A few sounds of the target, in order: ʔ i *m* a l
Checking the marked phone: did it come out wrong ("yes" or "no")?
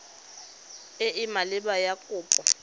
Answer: no